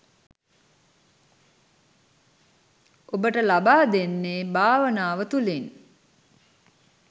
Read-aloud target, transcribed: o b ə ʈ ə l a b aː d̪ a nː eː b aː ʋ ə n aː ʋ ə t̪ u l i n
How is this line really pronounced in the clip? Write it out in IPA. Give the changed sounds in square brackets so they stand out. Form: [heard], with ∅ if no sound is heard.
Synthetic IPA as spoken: o b ə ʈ ə l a b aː d̪ [e] nː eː b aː ʋ ə n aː ʋ ə t̪ u l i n